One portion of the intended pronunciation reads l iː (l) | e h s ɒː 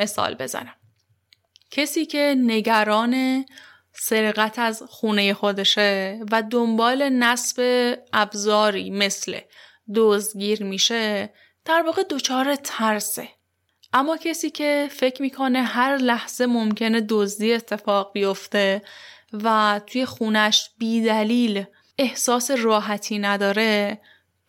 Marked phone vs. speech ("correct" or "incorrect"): correct